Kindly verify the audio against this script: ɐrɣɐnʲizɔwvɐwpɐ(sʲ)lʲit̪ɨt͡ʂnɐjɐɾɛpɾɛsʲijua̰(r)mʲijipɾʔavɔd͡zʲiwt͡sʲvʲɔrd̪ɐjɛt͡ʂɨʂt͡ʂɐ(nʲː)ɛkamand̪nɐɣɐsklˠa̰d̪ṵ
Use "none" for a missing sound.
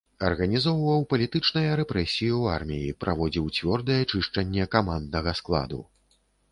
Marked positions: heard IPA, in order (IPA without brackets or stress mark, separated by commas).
none, r, nʲː